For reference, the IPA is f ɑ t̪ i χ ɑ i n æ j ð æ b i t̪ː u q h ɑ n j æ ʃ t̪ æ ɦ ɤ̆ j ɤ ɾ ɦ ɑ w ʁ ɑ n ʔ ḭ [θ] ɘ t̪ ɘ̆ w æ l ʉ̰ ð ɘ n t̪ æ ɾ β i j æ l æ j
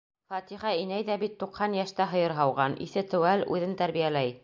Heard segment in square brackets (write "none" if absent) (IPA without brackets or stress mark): θ